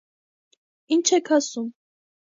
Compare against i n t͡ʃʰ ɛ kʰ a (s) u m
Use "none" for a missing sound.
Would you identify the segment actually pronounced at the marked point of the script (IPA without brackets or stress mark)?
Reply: s